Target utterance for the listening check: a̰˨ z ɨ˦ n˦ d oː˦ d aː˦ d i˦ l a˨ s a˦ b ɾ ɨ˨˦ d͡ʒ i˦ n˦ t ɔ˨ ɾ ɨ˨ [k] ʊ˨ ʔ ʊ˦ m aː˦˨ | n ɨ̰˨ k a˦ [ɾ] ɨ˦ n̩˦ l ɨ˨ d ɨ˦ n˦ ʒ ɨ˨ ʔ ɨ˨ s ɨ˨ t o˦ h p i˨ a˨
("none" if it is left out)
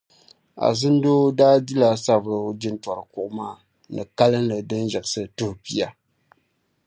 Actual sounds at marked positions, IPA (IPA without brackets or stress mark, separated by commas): k, l